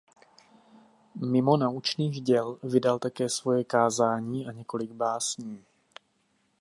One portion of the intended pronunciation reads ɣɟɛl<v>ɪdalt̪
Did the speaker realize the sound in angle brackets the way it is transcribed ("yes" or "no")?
yes